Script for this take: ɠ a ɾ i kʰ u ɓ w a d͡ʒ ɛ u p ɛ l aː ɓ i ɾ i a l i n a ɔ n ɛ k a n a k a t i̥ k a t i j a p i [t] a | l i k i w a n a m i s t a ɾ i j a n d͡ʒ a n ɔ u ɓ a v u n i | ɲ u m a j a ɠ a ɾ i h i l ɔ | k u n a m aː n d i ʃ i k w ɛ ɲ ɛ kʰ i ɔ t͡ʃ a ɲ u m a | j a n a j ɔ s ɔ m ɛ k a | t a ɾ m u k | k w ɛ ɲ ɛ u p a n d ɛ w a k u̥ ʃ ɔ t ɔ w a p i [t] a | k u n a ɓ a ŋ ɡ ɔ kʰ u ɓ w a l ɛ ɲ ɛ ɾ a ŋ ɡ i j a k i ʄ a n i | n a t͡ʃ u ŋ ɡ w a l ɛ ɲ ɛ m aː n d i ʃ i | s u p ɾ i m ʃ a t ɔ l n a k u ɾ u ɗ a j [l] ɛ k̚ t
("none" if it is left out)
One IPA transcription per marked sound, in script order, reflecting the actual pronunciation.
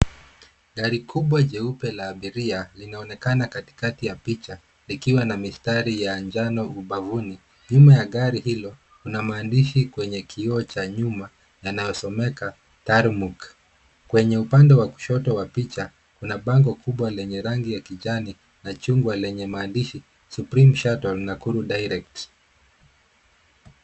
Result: t͡ʃ, t͡ʃ, ɾ

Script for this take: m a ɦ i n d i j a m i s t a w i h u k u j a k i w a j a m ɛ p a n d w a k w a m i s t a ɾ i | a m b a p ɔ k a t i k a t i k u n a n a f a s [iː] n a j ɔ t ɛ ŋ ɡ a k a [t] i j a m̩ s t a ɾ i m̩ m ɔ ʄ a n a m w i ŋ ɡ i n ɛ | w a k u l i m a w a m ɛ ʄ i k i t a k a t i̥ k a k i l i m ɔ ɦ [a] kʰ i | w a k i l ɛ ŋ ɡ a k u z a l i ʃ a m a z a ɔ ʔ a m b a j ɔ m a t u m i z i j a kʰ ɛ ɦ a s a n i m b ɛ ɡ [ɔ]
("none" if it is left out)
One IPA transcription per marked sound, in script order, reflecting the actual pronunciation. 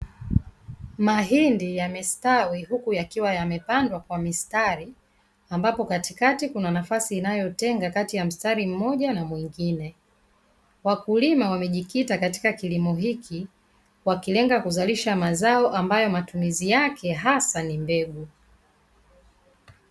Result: iː, t, i, u

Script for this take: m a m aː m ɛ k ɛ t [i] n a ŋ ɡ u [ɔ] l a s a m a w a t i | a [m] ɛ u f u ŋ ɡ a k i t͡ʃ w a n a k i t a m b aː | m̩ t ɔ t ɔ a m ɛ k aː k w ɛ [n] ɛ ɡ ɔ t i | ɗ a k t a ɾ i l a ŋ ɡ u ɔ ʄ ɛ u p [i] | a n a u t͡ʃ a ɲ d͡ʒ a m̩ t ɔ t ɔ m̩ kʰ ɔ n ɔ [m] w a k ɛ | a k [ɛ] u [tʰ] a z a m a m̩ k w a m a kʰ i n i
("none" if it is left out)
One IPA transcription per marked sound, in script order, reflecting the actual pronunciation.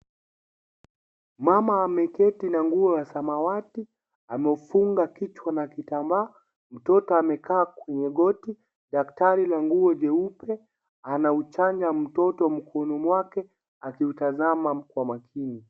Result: i, ɔ, m, ɲ, ɛ, m, i, t

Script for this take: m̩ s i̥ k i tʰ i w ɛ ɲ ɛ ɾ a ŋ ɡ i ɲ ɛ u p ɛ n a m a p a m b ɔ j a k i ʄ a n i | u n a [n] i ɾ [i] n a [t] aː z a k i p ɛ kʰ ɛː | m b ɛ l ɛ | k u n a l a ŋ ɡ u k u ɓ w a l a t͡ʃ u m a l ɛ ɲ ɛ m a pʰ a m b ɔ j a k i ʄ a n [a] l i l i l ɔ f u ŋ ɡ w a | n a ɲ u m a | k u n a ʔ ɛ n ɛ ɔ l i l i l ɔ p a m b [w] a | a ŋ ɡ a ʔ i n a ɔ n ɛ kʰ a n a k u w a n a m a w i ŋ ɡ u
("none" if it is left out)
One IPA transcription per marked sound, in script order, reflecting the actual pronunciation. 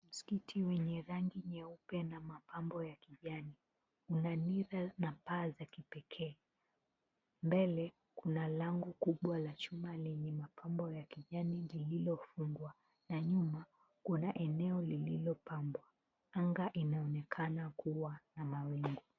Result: n, a, p, i, w

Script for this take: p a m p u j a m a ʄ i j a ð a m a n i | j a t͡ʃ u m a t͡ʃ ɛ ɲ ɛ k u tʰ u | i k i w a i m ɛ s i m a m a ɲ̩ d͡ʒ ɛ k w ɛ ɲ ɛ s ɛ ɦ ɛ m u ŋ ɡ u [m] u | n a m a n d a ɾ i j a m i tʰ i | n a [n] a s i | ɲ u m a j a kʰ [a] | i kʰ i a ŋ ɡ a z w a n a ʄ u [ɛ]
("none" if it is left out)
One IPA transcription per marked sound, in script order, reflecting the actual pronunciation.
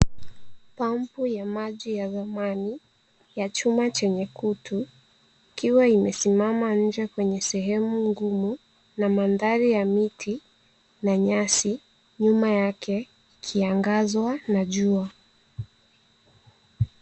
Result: m, ɲ, ɛ, a

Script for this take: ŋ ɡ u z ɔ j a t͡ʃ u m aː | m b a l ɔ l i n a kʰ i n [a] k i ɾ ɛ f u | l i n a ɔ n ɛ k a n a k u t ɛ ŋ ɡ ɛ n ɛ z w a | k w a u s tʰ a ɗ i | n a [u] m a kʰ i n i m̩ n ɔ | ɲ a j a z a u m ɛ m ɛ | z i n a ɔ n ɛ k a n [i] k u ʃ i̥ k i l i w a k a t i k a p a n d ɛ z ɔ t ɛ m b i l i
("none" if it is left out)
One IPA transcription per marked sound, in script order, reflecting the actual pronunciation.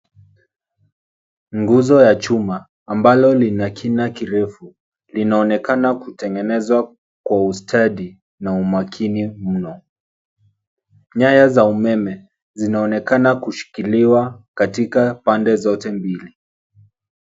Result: a, u, a

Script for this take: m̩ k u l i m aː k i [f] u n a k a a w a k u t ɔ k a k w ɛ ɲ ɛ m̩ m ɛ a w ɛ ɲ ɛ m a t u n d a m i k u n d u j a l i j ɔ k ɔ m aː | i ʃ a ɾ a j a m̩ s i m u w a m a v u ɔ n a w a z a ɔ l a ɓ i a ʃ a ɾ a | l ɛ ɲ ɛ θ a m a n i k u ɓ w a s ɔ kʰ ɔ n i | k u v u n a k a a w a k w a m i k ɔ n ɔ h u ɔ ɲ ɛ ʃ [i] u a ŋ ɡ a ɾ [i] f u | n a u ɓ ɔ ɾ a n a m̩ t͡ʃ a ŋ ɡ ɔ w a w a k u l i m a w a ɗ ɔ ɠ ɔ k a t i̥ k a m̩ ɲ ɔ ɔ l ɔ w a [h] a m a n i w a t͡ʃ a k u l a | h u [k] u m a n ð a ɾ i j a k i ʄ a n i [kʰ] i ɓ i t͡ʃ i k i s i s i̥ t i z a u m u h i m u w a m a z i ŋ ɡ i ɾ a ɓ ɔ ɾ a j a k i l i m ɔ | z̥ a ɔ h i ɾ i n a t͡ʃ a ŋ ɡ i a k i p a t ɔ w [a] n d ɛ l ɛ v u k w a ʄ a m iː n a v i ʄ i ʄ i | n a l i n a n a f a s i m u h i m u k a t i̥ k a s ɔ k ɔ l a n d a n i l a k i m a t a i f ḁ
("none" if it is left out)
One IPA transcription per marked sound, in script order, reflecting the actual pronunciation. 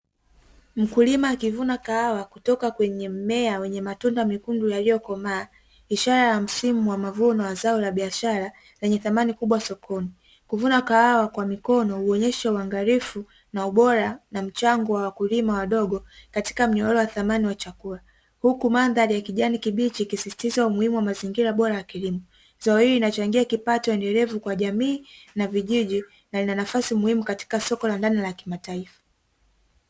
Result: v, a, i, θ, k, k, ɛ

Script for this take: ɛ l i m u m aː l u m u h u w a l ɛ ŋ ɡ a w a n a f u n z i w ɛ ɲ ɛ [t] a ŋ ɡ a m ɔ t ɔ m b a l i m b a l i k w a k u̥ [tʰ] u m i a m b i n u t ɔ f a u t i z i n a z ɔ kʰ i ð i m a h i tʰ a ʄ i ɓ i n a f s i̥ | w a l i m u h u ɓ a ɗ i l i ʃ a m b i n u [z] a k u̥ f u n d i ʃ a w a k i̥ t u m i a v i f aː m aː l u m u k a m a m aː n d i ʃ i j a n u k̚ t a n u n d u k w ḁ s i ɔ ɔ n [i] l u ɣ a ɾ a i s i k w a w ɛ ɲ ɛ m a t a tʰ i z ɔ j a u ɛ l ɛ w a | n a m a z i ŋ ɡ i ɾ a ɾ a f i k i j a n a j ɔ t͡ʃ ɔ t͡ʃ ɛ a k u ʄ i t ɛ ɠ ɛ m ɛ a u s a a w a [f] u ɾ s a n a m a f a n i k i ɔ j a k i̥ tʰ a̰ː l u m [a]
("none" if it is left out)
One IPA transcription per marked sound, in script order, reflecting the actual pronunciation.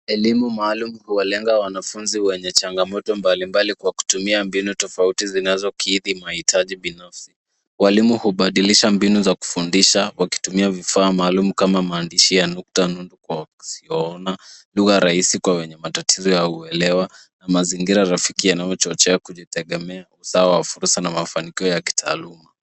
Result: t͡ʃ, t, z, a, f, a

